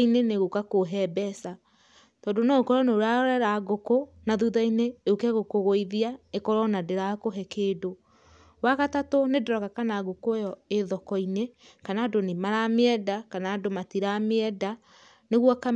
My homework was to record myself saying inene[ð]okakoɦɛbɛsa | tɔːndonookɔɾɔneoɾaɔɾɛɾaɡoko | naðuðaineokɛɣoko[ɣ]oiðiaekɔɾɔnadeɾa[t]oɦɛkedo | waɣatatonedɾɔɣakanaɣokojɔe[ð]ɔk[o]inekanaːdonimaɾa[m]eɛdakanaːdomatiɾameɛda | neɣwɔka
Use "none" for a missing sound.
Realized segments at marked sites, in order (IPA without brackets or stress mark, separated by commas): ɣ, ɣ, k, ð, ɔ, m